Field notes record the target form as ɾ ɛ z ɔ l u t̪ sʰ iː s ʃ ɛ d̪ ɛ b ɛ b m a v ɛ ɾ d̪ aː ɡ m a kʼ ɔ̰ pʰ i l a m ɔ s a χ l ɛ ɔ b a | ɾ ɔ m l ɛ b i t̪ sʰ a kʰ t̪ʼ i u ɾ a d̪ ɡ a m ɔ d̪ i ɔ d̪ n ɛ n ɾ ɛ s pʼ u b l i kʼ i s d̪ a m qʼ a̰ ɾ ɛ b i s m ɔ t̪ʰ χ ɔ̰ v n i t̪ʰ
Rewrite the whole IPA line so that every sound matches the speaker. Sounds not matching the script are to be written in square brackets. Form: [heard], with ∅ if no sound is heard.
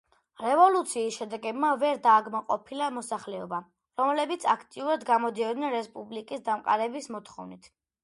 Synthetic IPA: ɾ ɛ [v] ɔ l u t̪ sʰ iː s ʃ ɛ d̪ ɛ [ɡ] ɛ b m a v ɛ ɾ d̪ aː ɡ m a [qʼ] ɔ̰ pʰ i l a m ɔ s a χ l ɛ ɔ b a | ɾ ɔ m l ɛ b i t̪ sʰ a kʰ t̪ʼ i u ɾ a d̪ ɡ a m ɔ d̪ i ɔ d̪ n ɛ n ɾ ɛ s pʼ u b l i kʼ i s d̪ a m qʼ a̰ ɾ ɛ b i s m ɔ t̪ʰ χ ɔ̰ v n i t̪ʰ